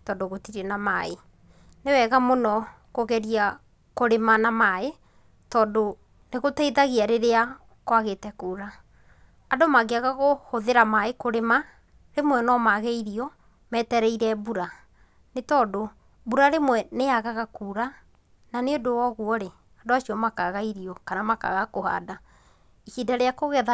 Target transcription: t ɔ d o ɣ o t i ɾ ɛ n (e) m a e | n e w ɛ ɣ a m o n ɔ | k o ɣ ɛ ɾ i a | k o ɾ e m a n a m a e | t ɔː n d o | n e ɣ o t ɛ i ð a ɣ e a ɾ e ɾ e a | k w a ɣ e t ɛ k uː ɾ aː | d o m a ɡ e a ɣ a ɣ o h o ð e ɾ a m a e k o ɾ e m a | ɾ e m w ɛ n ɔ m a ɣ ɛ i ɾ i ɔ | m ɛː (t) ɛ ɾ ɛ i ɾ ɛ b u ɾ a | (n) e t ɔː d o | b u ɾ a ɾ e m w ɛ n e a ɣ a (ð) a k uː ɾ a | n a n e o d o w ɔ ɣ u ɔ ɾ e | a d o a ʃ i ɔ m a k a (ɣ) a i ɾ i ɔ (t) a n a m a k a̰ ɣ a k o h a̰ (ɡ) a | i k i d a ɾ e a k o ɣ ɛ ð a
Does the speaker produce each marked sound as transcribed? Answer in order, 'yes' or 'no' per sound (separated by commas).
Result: no, yes, yes, no, yes, no, no